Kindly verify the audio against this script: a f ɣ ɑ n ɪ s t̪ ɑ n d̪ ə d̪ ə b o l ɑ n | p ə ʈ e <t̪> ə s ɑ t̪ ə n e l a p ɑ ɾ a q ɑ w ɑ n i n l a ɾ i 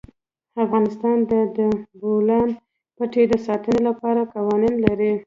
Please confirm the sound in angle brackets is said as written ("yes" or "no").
no